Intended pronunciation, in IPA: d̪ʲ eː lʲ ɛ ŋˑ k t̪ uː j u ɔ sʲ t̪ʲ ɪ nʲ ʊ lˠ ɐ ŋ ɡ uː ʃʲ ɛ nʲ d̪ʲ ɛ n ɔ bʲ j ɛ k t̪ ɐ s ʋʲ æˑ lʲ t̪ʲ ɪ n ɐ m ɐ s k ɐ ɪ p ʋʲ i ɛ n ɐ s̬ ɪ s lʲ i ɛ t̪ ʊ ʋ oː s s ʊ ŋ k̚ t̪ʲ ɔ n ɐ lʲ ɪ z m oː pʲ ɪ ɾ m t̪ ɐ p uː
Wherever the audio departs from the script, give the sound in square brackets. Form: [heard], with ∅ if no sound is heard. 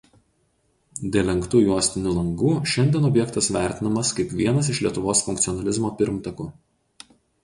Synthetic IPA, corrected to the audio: d̪ʲ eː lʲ ɛ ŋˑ k t̪ uː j u ɔ sʲ t̪ʲ ɪ nʲ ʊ lˠ ɐ ŋ ɡ uː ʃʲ ɛ nʲ d̪ʲ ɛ n ɔ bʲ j ɛ k t̪ ɐ s ʋʲ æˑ [ɾʲ] t̪ʲ ɪ n ɐ m ɐ s k ɐ ɪ p ʋʲ i ɛ n ɐ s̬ ɪ [ʃ] lʲ i ɛ t̪ ʊ ʋ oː s [f] ʊ ŋ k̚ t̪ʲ ɔ n ɐ lʲ ɪ z m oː pʲ ɪ ɾ m t̪ ɐ [k] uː